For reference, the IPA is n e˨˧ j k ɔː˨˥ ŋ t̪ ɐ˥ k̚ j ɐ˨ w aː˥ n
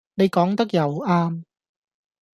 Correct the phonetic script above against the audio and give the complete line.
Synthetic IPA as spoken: n e˨˧ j k ɔː˨˥ ŋ t̪ ɐ˥ k̚ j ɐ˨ w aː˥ m

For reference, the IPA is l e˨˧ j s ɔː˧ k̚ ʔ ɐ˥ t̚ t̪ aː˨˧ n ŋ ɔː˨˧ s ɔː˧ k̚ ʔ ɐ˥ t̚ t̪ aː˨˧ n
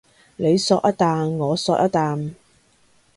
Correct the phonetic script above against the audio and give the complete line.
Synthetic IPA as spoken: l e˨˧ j s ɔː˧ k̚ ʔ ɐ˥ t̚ t̪ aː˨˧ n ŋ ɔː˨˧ s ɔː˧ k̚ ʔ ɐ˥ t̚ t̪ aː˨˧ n

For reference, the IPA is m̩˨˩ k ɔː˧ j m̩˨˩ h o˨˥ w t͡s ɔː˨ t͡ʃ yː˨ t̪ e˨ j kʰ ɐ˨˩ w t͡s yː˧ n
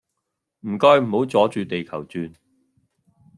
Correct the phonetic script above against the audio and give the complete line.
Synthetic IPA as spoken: m̩˨˩ k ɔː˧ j m̩˨˩ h o˨˥ w t͡s ɔː˨˥ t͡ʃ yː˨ t̪ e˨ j kʰ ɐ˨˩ w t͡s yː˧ n

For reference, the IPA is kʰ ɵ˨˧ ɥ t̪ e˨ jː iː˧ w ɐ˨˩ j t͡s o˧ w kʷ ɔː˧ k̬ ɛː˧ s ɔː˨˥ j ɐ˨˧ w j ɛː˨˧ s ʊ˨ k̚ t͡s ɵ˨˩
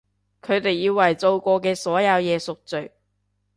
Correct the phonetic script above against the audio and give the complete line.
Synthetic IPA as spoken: kʰ ɵ˨˧ ɥ t̪ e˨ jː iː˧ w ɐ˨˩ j t͡s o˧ w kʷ ɔː˧ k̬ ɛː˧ s ɔː˨˥ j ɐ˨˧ w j ɛː˨˧ s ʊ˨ k̚ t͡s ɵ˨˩

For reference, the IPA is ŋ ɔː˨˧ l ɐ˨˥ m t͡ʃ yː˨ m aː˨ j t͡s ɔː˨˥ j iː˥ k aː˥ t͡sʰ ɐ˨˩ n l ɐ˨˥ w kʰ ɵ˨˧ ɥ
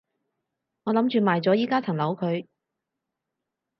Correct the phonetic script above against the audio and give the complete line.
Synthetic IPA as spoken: ŋ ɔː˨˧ l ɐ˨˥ m t͡ʃ yː˨ m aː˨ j t͡s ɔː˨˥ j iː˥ k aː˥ t͡sʰ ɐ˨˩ ŋ l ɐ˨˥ w kʰ ɵ˨˧ ɥ

